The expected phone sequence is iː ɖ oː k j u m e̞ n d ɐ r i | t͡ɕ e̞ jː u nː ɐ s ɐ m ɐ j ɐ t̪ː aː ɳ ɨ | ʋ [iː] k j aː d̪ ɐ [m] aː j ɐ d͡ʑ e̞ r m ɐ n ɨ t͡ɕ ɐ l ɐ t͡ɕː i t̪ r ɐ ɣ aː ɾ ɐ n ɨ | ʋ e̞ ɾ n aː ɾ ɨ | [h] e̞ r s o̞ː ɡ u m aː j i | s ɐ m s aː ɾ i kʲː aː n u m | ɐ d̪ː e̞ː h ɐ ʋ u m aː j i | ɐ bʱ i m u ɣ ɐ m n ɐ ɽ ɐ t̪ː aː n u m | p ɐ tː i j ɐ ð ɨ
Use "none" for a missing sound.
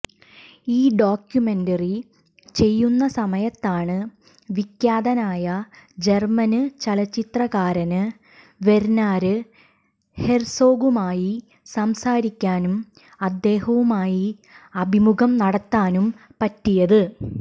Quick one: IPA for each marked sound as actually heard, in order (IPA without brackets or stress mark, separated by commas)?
i, n, h